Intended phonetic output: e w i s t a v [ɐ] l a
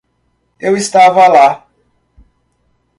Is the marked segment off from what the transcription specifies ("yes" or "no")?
yes